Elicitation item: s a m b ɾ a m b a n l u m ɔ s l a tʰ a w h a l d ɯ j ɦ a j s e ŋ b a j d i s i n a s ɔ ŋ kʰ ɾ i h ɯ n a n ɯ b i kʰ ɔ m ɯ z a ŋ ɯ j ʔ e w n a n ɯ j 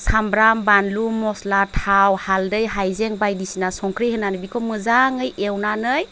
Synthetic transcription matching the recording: s a m b ɾ a m b a n l u m ɔ s l a tʰ a w h a l d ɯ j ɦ a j z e ŋ b a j d i s i n a s ɔ ŋ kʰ ɾ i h ɯ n a n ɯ b i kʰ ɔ m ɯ z a ŋ ɯ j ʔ e w n a n ɯ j